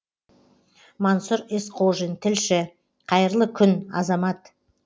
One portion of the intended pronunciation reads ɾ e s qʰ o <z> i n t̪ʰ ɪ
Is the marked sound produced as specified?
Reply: no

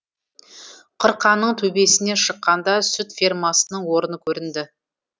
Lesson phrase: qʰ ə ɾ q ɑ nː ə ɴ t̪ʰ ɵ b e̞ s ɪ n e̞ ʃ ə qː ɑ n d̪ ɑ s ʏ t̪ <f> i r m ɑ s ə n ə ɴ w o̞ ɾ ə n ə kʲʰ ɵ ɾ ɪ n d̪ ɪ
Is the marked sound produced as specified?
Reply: yes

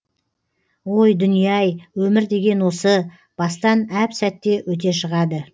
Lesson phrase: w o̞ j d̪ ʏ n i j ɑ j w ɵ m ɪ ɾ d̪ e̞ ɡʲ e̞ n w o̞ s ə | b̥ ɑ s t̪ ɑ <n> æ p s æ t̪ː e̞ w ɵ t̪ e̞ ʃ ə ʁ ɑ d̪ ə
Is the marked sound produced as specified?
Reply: yes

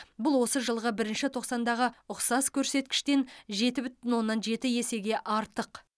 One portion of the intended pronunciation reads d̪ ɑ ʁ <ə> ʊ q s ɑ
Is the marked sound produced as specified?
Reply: yes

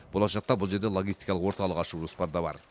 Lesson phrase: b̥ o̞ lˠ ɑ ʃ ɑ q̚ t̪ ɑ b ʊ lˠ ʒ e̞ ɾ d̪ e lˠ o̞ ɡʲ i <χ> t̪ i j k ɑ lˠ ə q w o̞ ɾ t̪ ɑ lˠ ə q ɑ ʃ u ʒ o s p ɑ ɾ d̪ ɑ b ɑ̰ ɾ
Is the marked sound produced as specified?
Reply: no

